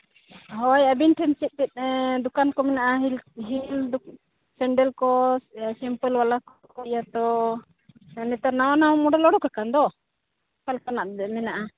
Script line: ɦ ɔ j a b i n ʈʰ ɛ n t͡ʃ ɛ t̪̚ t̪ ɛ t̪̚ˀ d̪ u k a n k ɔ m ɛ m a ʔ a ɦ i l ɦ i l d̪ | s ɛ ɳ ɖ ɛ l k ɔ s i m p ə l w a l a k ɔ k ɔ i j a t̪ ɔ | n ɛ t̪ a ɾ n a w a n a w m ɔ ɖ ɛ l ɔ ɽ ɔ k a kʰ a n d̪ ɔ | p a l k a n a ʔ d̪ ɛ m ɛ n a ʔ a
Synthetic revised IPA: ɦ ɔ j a b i n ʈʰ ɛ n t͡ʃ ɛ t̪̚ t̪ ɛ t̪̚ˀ d̪ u k a n k ɔ m ɛ n a ʔ a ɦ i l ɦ i l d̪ | s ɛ ɳ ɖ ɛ l k ɔ s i m p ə l w a l a k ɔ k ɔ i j a t̪ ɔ | n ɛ t̪ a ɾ n a w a n a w m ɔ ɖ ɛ l ɔ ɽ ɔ k a k a n d̪ ɔ | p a l k a n a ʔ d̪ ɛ m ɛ n a ʔ a